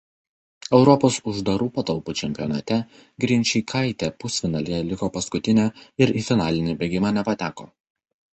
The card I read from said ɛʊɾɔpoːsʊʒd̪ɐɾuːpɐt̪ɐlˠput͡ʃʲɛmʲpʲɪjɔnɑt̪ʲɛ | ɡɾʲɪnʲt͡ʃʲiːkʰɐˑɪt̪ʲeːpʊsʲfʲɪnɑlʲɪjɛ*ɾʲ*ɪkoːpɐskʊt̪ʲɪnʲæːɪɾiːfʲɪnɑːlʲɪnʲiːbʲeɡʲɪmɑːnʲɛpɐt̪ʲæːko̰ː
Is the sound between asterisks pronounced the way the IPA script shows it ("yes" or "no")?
no